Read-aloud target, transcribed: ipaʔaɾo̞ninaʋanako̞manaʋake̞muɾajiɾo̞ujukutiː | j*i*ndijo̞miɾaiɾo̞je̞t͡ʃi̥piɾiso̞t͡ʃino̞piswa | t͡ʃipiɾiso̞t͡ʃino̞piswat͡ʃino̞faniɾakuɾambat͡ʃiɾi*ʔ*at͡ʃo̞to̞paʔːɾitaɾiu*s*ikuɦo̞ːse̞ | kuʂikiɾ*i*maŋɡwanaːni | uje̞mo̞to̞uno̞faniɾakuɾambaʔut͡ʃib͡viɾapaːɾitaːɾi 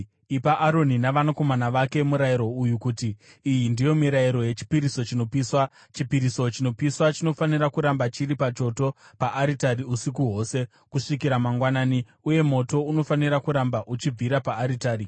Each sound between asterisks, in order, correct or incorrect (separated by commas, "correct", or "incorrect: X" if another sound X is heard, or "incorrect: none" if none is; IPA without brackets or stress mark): correct, incorrect: p, correct, incorrect: a